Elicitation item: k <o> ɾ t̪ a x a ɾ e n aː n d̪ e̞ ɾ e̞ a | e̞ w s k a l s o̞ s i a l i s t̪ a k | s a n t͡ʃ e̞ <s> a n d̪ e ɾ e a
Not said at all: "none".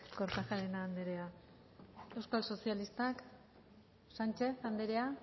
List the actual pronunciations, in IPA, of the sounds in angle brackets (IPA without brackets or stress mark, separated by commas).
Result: o, θ